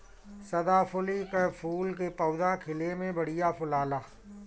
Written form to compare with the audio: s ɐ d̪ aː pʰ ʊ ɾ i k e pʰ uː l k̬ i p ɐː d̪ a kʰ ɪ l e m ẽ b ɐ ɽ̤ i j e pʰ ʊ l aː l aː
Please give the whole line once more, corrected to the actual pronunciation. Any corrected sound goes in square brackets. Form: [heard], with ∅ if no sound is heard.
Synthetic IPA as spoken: s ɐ d̪ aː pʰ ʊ [l] i k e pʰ uː l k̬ [e] p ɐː d̪ a kʰ ɪ l e m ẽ b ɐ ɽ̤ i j [a] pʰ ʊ l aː l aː